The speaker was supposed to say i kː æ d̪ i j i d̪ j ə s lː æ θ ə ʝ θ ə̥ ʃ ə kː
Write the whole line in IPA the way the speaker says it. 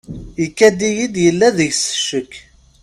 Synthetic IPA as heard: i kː æ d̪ i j i d̪ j ə lː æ ð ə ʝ s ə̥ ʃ ə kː